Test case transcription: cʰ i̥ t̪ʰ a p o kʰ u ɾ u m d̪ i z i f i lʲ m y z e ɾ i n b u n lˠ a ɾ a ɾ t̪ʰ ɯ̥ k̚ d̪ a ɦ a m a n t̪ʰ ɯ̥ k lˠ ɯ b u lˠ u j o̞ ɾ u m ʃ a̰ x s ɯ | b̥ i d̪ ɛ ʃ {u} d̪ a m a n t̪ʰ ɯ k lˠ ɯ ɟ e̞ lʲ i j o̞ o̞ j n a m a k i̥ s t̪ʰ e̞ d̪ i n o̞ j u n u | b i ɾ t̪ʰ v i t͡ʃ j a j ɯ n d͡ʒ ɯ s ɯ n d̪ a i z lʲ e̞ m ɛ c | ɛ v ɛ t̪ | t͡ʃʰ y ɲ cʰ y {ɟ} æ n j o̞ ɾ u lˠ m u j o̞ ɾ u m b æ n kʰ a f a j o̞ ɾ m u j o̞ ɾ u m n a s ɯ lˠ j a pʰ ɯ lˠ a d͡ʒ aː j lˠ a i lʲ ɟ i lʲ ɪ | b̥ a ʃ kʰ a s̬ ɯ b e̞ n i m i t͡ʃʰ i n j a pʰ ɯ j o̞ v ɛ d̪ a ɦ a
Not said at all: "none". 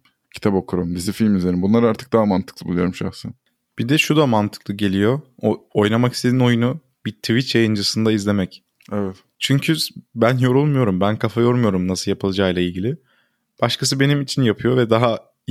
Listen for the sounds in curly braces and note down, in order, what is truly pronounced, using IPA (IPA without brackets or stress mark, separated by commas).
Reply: u, b